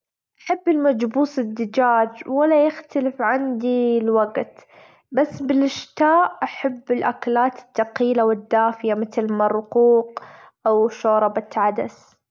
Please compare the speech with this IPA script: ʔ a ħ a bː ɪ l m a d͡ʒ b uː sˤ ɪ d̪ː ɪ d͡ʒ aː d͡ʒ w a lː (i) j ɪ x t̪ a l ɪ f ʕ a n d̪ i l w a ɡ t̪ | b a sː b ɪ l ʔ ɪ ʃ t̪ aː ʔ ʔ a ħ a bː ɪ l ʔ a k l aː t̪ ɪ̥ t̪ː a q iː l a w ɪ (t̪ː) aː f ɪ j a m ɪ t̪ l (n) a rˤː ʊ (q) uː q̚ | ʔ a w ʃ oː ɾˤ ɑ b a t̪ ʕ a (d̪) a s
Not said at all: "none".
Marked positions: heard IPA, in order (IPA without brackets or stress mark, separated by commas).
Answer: a, d̪ː, m, q, d̪